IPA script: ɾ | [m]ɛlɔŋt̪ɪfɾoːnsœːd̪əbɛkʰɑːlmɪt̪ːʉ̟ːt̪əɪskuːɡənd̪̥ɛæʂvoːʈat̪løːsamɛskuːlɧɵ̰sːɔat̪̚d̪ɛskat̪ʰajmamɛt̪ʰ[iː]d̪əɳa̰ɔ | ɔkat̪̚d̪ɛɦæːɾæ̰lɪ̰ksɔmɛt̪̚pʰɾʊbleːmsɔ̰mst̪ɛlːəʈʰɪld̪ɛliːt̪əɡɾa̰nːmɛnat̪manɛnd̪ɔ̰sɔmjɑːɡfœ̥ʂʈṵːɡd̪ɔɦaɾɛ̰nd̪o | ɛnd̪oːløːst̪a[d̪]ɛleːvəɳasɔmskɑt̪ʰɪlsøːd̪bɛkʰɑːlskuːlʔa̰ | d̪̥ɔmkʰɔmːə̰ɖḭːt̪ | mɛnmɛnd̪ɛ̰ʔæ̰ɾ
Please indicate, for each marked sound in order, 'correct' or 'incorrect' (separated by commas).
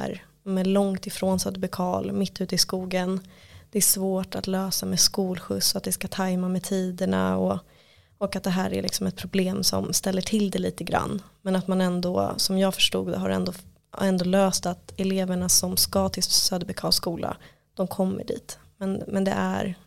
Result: correct, correct, incorrect